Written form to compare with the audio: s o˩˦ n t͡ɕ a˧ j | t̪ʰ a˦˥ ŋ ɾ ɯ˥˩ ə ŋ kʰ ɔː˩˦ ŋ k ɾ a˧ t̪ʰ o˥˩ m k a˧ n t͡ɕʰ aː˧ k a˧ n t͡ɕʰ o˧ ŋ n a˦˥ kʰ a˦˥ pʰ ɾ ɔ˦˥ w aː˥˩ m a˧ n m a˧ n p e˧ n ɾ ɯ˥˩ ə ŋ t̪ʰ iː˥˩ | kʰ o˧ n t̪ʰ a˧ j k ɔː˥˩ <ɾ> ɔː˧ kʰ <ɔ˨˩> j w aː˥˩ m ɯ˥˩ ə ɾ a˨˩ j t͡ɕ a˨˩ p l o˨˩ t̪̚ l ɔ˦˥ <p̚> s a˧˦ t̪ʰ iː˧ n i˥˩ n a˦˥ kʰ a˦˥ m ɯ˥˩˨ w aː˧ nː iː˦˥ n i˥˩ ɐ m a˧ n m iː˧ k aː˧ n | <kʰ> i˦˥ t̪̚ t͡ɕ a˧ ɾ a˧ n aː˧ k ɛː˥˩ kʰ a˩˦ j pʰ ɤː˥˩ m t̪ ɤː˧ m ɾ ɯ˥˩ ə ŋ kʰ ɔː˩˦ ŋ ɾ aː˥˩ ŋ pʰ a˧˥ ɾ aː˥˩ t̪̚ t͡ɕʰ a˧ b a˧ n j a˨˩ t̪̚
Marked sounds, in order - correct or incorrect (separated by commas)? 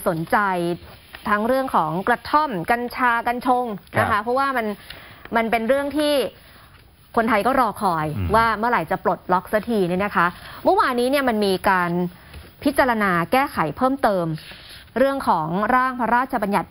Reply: correct, incorrect, incorrect, incorrect